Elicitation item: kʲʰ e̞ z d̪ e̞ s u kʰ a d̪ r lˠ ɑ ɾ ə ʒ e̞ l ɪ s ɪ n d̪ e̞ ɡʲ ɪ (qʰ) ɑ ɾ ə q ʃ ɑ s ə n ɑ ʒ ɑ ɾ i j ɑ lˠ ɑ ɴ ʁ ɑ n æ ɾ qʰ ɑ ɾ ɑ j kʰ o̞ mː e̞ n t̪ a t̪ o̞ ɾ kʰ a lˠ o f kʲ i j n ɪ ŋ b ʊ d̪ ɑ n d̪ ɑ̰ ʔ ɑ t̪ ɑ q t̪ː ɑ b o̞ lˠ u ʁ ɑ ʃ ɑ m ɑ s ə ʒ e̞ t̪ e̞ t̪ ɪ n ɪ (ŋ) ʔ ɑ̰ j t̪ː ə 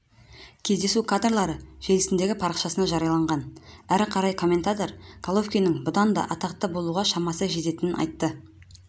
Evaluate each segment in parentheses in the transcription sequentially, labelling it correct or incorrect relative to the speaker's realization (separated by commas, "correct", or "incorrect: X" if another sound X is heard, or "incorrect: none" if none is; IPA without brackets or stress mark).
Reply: incorrect: pʰ, incorrect: n